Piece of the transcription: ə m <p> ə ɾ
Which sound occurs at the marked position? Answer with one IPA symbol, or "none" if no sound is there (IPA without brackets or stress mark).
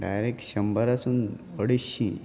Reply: b